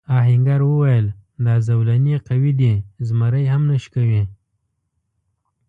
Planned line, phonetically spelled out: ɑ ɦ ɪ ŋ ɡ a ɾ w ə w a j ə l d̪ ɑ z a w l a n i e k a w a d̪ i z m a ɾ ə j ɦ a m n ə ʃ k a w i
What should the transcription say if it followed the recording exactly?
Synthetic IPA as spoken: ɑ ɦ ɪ ŋ ɡ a ɾ w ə w a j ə l d̪ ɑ z a w l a n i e q a w i d̪ i z m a ɾ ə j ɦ a m n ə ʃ k a w i